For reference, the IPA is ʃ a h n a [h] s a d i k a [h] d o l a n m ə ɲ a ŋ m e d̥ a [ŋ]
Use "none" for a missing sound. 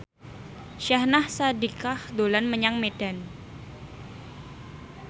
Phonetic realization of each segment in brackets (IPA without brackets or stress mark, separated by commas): h, h, n